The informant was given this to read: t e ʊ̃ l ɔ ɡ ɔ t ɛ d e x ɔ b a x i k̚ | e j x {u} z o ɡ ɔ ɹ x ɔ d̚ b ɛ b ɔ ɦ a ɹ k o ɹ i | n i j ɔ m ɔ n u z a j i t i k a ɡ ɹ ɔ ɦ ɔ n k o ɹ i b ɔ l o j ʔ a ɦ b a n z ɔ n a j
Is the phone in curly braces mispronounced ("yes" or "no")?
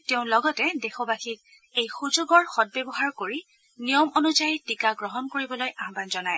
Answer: no